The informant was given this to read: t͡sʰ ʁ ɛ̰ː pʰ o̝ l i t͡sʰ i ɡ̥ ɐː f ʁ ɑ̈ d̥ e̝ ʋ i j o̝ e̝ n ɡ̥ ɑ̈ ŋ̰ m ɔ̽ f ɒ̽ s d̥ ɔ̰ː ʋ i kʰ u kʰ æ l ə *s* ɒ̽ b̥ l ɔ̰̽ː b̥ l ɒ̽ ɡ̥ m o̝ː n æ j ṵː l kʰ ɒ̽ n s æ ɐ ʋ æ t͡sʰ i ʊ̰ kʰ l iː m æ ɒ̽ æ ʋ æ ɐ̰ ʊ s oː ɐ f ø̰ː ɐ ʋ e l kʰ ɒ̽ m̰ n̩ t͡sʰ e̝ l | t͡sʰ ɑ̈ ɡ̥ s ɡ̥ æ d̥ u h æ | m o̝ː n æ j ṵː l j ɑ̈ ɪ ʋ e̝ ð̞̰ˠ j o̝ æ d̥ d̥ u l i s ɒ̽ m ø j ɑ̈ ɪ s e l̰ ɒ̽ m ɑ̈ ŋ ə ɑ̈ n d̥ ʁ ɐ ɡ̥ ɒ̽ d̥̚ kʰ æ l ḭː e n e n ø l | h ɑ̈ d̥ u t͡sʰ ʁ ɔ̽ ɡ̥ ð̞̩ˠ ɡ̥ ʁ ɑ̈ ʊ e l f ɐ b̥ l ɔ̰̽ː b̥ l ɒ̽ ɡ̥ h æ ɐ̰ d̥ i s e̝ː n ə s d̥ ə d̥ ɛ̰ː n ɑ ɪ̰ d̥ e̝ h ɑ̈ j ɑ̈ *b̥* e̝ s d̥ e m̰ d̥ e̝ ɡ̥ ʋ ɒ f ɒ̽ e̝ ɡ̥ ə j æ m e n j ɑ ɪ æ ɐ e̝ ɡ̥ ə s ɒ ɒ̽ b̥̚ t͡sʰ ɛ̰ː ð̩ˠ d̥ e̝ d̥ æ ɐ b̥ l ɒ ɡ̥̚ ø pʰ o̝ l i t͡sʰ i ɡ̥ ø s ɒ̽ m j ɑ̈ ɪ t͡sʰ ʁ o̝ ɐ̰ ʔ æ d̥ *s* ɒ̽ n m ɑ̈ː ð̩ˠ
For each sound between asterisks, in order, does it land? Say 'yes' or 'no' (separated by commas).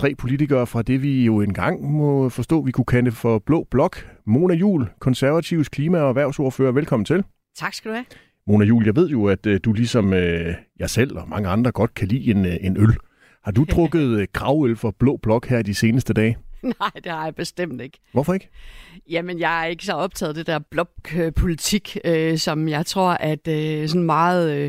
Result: no, yes, yes